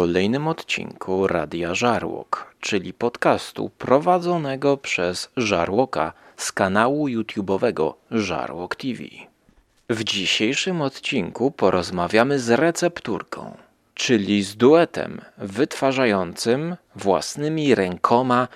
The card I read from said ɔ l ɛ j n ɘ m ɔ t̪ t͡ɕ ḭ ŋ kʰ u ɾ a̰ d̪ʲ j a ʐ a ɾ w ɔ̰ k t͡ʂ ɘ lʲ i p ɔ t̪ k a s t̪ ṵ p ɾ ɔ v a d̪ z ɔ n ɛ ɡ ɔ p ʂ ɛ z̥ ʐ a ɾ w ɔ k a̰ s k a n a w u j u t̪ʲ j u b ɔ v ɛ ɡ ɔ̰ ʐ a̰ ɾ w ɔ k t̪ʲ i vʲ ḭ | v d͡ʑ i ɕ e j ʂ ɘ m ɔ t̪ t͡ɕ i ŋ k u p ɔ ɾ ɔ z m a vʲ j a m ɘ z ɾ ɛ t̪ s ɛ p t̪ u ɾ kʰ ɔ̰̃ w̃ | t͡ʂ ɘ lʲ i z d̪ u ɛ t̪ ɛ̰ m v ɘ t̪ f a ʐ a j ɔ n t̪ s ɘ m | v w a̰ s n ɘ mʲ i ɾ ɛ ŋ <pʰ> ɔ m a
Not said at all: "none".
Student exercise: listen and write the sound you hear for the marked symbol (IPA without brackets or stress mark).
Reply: kʰ